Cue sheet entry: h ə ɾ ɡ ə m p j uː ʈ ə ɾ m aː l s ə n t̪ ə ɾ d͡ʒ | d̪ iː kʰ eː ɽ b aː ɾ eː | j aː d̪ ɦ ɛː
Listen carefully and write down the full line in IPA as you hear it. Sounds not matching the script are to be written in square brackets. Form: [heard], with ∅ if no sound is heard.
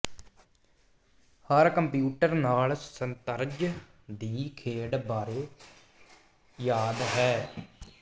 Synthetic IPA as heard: h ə ɾ [k] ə m p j uː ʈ ə ɾ [n] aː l s ə n t̪ ə ɾ d͡ʒ | d̪ iː kʰ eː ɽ b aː ɾ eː | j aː d̪ ɦ ɛː